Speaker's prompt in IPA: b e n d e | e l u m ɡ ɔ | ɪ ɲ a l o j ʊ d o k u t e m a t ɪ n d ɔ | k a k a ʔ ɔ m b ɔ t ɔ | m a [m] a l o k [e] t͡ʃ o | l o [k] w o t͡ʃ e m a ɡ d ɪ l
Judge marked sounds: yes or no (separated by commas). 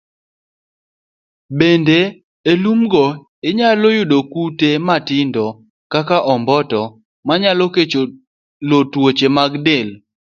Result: no, yes, no